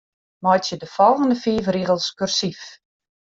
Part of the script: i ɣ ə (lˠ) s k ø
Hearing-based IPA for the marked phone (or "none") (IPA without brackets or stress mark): lˠ